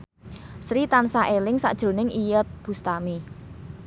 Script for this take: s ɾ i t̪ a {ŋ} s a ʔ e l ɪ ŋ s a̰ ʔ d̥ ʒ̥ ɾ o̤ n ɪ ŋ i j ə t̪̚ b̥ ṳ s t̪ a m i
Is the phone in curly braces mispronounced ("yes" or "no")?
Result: yes